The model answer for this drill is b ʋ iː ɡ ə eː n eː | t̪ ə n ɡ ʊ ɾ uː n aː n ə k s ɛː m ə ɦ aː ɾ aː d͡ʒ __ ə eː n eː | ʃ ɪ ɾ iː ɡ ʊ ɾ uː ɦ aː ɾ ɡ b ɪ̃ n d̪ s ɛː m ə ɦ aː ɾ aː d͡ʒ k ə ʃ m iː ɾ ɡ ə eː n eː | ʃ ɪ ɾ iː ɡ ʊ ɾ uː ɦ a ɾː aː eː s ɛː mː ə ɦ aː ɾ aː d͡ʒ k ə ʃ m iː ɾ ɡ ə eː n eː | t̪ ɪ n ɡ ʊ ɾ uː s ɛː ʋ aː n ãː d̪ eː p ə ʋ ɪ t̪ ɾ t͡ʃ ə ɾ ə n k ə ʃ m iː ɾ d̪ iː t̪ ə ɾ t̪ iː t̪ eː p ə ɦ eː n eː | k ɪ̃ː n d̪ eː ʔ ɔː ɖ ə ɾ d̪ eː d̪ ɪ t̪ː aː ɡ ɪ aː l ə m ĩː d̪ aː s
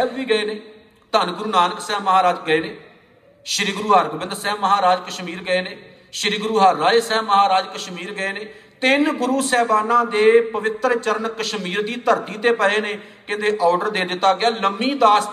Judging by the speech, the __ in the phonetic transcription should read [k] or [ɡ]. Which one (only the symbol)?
ɡ